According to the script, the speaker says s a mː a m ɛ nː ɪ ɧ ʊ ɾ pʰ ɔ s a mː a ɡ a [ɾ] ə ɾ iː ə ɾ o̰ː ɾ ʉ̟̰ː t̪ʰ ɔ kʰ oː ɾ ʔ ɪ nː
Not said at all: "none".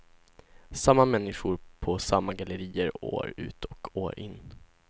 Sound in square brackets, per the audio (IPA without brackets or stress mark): l